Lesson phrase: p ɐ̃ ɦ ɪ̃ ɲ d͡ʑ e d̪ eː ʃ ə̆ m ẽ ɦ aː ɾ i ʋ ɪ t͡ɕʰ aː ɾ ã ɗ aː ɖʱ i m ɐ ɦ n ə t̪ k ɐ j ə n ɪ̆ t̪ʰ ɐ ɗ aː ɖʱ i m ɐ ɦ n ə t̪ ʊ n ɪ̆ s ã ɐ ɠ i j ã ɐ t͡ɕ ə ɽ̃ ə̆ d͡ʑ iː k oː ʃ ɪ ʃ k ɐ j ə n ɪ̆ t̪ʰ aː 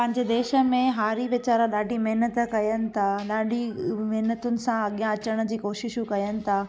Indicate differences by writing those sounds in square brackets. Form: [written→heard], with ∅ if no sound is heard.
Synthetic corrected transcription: p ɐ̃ ɦ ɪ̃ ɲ d͡ʑ e d̪ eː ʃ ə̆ m ẽ ɦ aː ɾ i ʋ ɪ [t͡ɕʰ→t͡ɕ] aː ɾ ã ɗ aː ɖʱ i m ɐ ɦ n ə t̪ k ɐ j ə n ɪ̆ t̪ʰ [ɐ→a] ɗ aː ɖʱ i m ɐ ɦ n ə t̪ ʊ n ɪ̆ s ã ɐ ɠ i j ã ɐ t͡ɕ ə ɽ̃ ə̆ d͡ʑ iː k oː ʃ ɪ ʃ k ɐ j ə n ɪ̆ t̪ʰ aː